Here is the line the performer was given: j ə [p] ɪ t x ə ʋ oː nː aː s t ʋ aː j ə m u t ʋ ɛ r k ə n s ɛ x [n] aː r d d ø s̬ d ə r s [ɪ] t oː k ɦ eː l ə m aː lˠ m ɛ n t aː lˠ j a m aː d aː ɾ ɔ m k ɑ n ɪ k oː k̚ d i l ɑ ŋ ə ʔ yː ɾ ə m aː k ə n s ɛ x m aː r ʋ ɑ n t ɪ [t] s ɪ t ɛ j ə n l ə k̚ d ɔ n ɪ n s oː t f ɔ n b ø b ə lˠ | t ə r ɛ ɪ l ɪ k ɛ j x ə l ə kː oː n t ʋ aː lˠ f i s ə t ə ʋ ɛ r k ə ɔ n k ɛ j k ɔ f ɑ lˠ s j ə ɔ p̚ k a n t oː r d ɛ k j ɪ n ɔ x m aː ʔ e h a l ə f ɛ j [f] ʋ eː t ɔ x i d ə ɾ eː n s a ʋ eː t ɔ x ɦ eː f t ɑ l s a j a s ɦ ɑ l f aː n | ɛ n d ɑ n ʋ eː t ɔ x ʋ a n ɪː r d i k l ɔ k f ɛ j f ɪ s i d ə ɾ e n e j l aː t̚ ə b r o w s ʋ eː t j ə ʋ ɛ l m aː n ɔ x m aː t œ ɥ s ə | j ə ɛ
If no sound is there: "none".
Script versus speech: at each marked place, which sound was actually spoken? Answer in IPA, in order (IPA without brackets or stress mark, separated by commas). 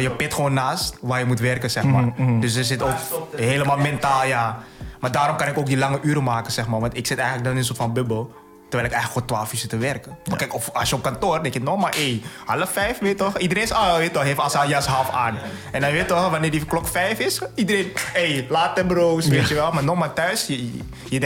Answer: p, m, ɪ, k, f